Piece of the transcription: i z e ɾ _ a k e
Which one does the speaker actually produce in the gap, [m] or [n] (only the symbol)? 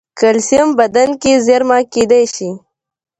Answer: m